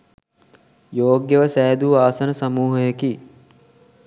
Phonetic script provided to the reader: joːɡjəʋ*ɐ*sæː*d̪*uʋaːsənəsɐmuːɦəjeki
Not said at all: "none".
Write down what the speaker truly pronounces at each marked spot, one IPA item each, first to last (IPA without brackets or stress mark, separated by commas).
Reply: ə, d̪